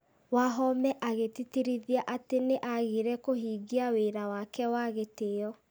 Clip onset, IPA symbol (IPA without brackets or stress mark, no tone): w